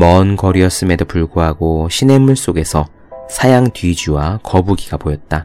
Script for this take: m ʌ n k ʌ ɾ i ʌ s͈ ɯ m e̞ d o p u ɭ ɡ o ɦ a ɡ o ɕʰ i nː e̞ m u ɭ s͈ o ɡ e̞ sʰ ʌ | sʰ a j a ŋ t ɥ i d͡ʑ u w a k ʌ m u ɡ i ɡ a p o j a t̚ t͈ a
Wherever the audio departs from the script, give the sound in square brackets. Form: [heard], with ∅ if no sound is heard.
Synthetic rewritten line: m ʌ n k ʌ ɾ i ʌ s͈ ɯ m e̞ d o p u ɭ ɡ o ɦ a ɡ o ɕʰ i [n] e̞ m u ɭ s͈ o ɡ e̞ sʰ ʌ | sʰ a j a ŋ t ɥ i d͡ʑ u w a k ʌ [b] u ɡ i ɡ a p o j [ʌ] t̚ t͈ a